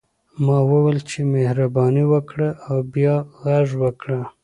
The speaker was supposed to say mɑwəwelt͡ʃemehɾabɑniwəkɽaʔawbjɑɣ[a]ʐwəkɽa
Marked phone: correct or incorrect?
correct